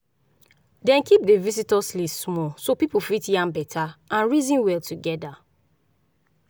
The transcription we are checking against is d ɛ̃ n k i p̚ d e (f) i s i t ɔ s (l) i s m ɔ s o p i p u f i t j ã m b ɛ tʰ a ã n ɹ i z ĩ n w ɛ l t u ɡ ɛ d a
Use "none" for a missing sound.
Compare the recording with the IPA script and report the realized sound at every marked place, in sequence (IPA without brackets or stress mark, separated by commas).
v, l